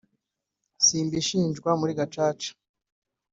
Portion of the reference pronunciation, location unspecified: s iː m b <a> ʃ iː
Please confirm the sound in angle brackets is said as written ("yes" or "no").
no